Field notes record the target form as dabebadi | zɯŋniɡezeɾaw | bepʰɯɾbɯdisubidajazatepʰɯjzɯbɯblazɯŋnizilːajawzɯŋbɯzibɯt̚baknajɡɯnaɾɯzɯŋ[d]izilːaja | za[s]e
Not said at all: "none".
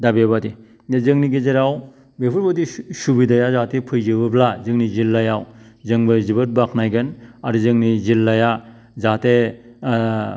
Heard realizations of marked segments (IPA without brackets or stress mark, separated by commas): n, t